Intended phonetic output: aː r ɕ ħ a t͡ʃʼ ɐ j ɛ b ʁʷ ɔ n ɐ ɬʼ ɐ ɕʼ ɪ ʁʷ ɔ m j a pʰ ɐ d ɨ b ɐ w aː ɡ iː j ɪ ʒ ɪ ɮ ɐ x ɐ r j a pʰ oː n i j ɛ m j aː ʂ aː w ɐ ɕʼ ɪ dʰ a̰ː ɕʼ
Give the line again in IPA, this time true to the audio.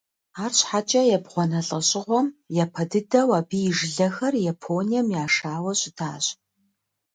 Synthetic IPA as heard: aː r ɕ ħ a t͡ʃʼ ɐ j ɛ b ʁʷ ɔ n ɐ ɬʼ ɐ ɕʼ ɪ ʁʷ ɔ m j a pʰ ɐ d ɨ d ɐ w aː b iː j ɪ ʒ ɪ ɮ ɐ x ɐ r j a pʰ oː n i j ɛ m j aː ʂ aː w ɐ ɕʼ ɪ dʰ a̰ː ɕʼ